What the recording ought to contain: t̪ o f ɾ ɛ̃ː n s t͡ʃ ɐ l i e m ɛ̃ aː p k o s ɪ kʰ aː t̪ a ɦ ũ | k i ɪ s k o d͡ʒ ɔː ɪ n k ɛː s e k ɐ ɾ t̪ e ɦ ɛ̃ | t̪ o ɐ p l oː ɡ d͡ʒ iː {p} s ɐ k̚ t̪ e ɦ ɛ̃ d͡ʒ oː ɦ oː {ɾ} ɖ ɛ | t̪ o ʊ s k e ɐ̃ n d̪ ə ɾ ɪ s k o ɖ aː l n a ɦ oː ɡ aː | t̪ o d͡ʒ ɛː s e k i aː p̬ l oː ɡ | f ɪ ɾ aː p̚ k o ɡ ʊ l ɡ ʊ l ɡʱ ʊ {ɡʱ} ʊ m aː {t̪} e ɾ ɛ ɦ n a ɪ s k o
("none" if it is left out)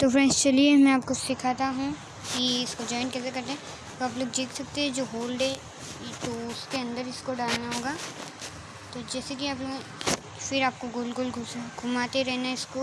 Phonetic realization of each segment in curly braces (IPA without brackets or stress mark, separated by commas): k, l, ɡʱ, t̪